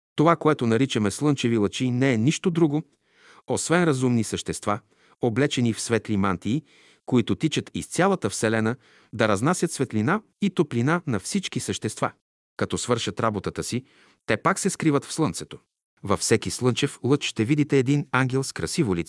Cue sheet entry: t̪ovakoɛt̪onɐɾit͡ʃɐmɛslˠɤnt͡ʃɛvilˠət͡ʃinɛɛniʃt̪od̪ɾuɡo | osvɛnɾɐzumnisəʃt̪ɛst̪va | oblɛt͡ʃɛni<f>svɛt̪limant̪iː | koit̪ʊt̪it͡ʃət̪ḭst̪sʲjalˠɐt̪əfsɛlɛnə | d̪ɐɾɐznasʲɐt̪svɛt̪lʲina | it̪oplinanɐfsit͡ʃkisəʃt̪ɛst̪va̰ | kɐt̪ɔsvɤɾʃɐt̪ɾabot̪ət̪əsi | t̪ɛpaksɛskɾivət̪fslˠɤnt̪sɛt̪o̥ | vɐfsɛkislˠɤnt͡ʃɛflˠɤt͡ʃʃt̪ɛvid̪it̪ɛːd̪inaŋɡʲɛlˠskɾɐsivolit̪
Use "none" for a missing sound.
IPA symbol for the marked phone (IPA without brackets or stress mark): f